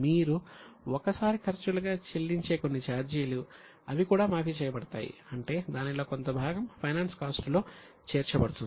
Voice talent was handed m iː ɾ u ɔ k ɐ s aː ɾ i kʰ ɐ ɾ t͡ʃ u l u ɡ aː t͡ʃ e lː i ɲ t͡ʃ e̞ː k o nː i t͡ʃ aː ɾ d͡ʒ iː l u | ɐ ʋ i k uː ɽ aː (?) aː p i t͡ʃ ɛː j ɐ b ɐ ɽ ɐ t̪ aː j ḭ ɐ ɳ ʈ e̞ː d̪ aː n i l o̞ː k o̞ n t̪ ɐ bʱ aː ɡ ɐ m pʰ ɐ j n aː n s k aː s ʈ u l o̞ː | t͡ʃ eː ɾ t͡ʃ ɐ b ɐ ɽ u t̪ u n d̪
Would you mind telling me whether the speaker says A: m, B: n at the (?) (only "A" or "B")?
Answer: A